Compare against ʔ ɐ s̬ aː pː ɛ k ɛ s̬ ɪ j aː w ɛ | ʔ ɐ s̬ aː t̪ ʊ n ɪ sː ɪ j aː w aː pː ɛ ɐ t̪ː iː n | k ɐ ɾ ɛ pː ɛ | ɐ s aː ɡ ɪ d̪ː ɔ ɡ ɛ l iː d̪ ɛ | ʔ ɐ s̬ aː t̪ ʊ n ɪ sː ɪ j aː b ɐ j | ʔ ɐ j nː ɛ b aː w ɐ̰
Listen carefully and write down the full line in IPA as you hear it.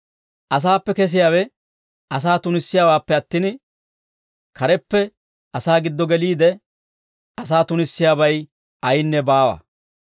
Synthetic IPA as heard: ʔ ɐ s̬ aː pː ɛ k ɛ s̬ ɪ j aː w ɛ | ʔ ɐ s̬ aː t̪ ʊ n ɪ sː ɪ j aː w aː pː ɛ ɐ t̪ː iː n | k ɐ ɾ ɛ pː ɛ | ɐ s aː ɡ ɪ d̪ː ɔ ɡ ɛ l iː d̪ ɛ | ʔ ɐ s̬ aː t̪ ʊ n ɪ sː ɪ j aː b ɐ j | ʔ ɐ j nː ɛ b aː w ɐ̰